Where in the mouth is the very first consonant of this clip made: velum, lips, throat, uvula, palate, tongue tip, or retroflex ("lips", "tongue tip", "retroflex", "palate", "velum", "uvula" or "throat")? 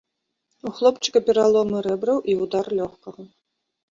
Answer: velum